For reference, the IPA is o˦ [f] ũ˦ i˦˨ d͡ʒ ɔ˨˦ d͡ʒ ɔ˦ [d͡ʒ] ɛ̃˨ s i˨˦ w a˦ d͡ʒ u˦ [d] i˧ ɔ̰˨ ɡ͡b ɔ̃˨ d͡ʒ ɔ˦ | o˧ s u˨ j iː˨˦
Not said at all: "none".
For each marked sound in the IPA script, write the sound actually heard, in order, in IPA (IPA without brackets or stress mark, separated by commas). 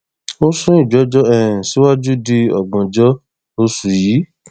s, none, d